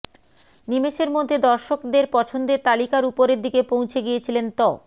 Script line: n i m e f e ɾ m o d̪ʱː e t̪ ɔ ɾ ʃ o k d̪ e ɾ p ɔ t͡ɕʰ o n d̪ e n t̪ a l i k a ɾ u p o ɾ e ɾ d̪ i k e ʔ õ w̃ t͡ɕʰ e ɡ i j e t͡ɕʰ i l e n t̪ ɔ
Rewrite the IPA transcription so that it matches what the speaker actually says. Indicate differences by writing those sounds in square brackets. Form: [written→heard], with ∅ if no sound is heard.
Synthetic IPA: n i m e [f→ʃ] e ɾ m o d̪ʱː e [t̪→d̪] ɔ ɾ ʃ o k d̪ e ɾ p ɔ t͡ɕʰ o n d̪ e [n→∅] t̪ a l i k a ɾ u p o ɾ e ɾ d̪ i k e [ʔ→p] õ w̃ t͡ɕʰ e ɡ i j e t͡ɕʰ i l e n t̪ ɔ